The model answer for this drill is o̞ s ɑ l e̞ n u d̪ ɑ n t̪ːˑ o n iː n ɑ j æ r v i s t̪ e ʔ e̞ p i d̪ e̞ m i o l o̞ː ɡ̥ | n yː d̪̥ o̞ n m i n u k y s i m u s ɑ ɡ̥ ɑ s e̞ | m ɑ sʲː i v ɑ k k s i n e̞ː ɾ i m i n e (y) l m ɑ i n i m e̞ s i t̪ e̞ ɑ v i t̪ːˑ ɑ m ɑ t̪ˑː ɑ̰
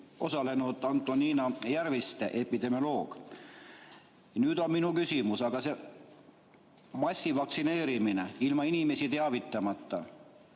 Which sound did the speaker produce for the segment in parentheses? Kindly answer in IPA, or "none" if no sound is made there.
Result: i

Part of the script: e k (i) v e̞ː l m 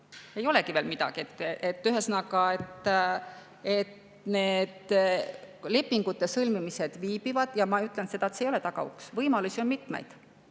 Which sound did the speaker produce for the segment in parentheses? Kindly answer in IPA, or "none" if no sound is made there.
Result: i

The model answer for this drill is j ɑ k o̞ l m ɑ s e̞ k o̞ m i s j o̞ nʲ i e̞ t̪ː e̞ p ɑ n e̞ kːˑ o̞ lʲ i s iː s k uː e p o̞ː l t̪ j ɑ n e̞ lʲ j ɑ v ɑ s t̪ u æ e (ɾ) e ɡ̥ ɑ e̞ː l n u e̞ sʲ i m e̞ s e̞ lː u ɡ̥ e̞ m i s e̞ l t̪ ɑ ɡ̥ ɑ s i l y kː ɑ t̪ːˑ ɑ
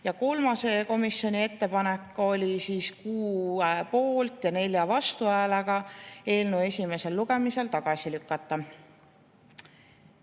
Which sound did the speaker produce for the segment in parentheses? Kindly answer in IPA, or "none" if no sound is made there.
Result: l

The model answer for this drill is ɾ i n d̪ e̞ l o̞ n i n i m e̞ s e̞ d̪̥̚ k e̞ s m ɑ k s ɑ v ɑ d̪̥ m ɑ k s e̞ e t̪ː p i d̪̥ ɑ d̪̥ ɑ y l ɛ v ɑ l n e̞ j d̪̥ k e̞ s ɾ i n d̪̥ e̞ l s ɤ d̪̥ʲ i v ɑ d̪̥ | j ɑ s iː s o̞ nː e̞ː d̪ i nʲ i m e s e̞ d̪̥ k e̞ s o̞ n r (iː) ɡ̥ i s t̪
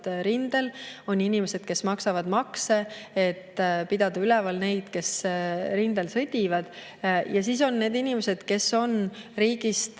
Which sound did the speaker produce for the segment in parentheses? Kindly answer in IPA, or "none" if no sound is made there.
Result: iː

